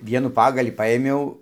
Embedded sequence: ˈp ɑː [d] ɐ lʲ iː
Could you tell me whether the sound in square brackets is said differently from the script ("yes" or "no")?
yes